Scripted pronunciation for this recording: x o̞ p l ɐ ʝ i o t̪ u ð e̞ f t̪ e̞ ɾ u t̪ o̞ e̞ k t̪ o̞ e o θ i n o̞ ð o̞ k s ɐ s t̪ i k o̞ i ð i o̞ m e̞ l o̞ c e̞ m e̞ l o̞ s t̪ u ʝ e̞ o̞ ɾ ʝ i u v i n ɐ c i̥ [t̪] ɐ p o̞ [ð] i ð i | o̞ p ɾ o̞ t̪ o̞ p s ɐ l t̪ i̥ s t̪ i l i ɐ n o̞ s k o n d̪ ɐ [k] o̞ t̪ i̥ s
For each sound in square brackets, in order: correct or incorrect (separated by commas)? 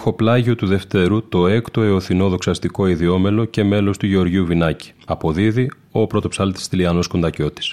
incorrect, correct, incorrect